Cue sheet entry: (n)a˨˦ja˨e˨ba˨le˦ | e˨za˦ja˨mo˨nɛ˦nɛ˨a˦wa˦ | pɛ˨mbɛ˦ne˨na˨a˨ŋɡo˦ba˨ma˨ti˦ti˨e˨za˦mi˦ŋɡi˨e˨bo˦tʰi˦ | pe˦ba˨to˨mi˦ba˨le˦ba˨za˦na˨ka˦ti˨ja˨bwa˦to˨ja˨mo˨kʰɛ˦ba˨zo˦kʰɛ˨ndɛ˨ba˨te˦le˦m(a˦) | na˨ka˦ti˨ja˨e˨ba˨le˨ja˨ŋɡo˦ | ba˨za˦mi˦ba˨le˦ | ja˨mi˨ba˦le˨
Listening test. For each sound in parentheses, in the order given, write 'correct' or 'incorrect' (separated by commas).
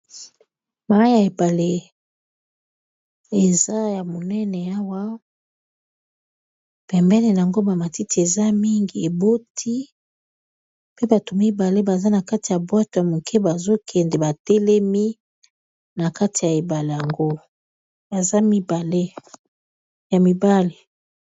incorrect, incorrect